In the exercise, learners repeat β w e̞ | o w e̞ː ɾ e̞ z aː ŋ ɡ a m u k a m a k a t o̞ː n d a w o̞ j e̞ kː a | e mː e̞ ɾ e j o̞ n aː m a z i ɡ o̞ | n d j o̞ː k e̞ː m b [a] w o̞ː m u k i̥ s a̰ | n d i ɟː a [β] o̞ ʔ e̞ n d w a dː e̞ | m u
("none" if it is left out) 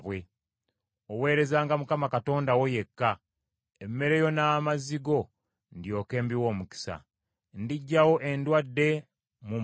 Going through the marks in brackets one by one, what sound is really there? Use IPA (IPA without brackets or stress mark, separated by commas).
i, w